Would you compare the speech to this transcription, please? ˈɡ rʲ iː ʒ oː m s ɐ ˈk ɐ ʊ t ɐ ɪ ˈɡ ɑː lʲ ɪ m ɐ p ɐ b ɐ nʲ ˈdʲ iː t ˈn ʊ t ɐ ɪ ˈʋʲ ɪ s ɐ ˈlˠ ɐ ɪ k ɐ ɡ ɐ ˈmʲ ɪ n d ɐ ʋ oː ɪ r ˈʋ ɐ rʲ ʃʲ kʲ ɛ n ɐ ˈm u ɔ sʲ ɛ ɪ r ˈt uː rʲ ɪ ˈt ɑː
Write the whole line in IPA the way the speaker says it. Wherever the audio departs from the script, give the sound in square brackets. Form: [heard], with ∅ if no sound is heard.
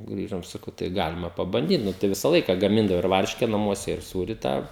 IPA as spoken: ˈɡ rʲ iː ʒ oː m s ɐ ˈk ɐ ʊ t ɐ ɪ ˈɡ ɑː lʲ ɪ m ɐ p ɐ b ɐ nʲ ˈdʲ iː t ˈn ʊ t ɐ ɪ ˈʋʲ ɪ s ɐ ˈlˠ ɐ ɪ k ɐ ɡ ɐ ˈmʲ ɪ n d ɐ ʋ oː ɪ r ˈʋ ɐ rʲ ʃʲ kʲ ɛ n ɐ ˈm u ɔ sʲ ɛ ɪ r [ˈs] uː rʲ ɪ ˈt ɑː